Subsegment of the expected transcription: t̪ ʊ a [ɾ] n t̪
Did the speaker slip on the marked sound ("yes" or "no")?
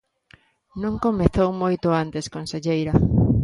yes